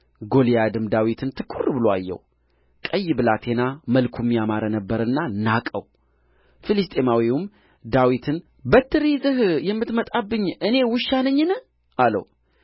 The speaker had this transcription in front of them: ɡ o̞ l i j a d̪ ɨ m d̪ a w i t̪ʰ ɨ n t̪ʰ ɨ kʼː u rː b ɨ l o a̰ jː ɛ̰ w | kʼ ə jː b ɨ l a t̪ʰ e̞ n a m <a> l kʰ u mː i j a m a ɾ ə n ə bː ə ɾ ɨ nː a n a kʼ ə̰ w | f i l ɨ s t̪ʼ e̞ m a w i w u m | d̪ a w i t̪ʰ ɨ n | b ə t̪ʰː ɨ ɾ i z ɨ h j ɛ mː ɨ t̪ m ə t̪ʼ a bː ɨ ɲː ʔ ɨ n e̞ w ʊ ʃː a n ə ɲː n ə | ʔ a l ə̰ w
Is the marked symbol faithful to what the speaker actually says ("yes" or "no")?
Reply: no